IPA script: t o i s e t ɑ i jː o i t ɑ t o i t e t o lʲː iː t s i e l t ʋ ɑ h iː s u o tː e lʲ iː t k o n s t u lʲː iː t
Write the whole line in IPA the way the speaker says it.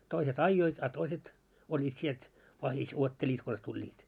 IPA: t o i s e t ɑ i jː o i t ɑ t o i s e t o lʲː iː t s i e l t ʋ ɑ h i s u o tː e lʲ iː t k o n s t u lʲː iː t